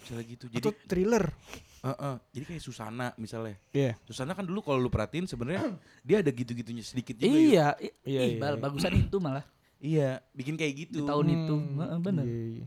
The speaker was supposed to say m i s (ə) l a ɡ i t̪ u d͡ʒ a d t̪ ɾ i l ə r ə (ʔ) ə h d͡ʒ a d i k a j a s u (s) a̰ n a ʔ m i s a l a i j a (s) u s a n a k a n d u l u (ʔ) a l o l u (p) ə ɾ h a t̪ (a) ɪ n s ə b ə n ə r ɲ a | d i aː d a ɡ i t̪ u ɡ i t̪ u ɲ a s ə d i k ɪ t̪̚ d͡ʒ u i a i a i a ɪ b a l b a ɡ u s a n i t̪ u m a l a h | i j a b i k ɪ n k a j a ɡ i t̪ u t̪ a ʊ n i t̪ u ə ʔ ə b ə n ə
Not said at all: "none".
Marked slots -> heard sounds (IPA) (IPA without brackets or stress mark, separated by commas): a, ʔ, s, s, k, p, i